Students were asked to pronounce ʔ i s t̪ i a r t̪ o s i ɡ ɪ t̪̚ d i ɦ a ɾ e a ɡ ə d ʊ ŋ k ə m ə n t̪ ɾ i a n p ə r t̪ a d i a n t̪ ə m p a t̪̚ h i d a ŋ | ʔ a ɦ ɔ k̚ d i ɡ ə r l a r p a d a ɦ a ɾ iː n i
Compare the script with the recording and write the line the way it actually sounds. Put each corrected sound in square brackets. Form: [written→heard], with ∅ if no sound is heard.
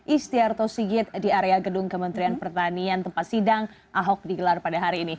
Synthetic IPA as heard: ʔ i s t̪ i a r t̪ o s i ɡ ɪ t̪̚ d i [ɦ→∅] a ɾ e a ɡ ə d ʊ ŋ k ə m ə n t̪ ɾ i a n p ə r t̪ a [d→n] i a n t̪ ə m p a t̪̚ [h→s] i d a ŋ | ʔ a ɦ ɔ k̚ d i ɡ ə [r→∅] l a r p a d a ɦ a ɾ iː n i